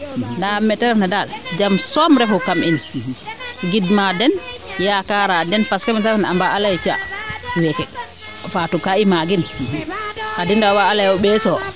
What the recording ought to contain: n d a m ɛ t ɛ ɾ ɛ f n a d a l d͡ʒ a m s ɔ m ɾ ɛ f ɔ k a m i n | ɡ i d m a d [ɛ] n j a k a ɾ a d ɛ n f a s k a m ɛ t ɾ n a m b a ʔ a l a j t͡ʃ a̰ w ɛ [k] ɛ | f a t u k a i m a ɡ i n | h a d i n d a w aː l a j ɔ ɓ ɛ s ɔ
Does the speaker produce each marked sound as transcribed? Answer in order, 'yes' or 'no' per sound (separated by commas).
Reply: yes, yes